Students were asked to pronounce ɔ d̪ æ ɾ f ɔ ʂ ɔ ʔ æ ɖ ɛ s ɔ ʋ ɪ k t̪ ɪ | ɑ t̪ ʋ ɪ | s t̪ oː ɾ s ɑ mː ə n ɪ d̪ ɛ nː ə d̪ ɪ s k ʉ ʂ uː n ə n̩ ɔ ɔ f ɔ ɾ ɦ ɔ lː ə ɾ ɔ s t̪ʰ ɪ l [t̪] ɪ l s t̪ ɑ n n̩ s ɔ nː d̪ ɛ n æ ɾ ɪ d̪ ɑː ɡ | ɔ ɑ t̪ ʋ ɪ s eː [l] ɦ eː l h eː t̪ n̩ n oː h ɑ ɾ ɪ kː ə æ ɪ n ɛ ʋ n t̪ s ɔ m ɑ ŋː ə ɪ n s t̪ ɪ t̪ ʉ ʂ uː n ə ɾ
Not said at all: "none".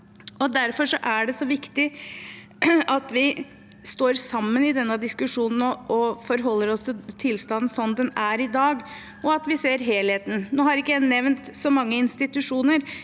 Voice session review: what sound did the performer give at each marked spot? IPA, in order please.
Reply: t̪ʰ, ɾ

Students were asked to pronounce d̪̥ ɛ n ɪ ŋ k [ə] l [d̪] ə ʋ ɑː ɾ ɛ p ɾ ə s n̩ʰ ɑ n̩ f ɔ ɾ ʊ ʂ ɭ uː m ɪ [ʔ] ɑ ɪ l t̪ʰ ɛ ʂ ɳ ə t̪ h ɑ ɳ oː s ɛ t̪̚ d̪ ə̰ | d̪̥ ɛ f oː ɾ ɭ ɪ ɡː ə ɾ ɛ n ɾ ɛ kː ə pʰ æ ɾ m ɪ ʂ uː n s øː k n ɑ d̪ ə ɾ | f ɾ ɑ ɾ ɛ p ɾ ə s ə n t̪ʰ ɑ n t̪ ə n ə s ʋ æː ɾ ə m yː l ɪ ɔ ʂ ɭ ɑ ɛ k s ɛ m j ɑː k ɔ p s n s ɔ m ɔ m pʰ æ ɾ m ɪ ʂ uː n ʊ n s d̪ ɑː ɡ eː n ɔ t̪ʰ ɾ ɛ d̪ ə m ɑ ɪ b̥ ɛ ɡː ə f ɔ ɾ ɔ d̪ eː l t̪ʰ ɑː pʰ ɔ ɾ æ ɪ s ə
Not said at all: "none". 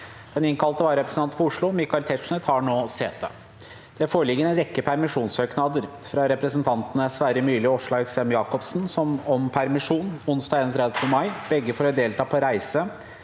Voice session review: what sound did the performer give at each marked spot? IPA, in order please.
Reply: ɑ, t̪, k

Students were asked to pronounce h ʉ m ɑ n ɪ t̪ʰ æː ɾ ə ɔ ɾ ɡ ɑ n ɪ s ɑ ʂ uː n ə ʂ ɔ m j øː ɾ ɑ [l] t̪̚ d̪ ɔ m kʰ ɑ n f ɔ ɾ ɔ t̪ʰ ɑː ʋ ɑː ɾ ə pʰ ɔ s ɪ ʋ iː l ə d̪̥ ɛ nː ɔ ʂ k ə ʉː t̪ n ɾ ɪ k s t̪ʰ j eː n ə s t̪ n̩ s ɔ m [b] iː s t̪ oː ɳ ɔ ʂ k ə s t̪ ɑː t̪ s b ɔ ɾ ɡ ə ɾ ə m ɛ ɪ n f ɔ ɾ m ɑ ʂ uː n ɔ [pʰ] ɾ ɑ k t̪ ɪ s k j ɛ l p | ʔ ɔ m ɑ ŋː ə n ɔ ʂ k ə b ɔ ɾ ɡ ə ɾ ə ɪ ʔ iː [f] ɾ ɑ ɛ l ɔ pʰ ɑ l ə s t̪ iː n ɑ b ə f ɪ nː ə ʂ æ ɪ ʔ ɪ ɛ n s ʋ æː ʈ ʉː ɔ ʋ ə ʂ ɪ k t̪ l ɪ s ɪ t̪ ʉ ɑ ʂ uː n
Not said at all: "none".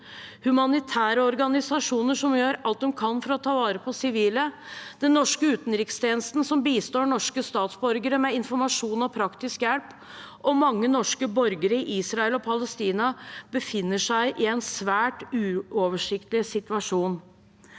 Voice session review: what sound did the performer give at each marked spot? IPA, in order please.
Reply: l, b, pʰ, s

